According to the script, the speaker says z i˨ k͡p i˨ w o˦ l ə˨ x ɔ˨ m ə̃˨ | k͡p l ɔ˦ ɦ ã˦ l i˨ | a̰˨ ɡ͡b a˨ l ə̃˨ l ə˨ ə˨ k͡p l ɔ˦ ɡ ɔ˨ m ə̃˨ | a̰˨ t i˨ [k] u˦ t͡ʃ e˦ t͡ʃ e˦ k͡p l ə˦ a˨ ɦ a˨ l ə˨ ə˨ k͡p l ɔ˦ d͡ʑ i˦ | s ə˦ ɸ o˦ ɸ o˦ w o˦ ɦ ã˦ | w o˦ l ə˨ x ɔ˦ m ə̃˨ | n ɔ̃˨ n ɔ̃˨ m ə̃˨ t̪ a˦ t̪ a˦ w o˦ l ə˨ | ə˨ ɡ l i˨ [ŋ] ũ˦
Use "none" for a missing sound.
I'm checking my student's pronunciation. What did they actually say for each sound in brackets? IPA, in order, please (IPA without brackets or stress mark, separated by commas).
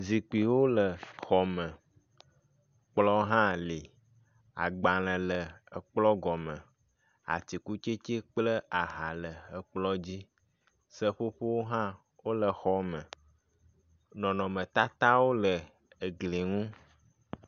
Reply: k, ŋ